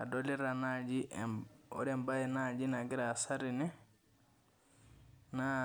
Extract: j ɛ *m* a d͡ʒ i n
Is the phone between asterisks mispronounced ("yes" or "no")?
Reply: yes